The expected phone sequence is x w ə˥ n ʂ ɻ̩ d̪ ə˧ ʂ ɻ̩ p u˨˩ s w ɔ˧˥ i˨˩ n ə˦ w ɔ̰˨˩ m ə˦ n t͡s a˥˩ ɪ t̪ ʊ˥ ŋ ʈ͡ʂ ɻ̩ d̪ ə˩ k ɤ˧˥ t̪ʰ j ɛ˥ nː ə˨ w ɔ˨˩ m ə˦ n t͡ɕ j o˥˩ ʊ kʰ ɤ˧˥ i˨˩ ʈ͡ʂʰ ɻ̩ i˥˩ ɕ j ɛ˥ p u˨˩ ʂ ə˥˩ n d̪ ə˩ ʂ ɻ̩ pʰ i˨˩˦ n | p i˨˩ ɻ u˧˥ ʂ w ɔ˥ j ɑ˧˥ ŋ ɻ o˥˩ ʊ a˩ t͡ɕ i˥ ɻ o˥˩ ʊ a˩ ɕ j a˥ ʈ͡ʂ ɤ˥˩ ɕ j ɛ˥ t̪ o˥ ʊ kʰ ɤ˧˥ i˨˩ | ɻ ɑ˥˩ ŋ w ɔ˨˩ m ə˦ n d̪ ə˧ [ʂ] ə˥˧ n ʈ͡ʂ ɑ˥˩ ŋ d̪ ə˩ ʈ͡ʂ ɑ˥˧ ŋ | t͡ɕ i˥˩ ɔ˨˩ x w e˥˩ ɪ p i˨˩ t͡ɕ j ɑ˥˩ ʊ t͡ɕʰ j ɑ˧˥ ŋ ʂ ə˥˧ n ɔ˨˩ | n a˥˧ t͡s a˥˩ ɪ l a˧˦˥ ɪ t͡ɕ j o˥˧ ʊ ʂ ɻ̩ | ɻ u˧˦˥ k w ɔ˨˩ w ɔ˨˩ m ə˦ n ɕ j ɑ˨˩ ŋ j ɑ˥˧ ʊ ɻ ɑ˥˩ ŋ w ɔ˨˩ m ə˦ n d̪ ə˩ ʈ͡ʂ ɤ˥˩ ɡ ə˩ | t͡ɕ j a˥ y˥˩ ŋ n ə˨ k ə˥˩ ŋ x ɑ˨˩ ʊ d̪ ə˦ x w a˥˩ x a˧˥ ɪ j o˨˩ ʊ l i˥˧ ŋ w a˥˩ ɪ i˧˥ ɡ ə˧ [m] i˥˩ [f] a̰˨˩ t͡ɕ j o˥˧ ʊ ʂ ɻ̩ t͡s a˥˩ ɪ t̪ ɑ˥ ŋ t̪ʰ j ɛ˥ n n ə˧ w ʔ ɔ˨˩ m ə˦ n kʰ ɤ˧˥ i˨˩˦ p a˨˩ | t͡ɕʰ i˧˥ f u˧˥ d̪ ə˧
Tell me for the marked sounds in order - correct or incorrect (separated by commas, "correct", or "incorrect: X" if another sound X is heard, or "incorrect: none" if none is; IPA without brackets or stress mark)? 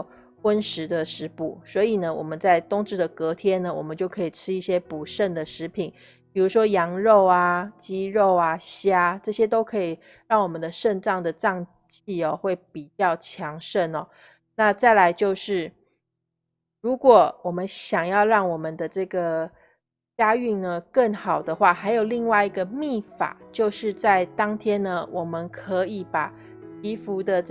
correct, correct, correct